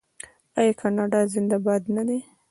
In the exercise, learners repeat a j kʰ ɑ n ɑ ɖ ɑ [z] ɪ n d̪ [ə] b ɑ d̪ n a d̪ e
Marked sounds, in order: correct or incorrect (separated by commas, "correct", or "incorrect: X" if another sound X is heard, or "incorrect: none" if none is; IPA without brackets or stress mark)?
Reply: correct, incorrect: a